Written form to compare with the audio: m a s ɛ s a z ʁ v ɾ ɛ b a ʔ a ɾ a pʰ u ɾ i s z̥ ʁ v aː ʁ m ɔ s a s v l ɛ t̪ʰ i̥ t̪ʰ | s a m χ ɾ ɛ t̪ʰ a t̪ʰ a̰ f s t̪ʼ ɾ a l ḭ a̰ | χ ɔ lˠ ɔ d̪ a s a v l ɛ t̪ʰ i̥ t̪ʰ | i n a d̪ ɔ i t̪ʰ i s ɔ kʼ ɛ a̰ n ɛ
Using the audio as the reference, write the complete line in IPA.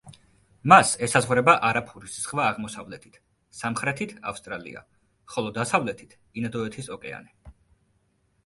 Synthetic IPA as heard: m a s ɛ s a z ʁ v ɾ ɛ b a ʔ a ɾ a pʰ u ɾ i s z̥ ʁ v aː ʁ m ɔ s a v l ɛ t̪ʰ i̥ t̪ʰ | s a m χ ɾ ɛ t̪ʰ i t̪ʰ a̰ f s t̪ʼ ɾ a l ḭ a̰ | χ ɔ lˠ ɔ d̪ a s a v l ɛ t̪ʰ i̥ t̪ʰ | i n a d̪ ɔ ɛ t̪ʰ i s ɔ kʼ ɛ a̰ n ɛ